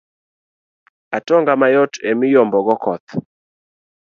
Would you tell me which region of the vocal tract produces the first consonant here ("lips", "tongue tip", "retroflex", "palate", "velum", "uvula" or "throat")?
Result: tongue tip